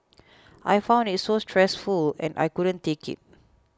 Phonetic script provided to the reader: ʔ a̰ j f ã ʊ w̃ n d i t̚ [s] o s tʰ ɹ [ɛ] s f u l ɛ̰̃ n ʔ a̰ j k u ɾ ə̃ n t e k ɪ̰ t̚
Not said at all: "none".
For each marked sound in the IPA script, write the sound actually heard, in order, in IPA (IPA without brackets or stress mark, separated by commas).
s, ɛ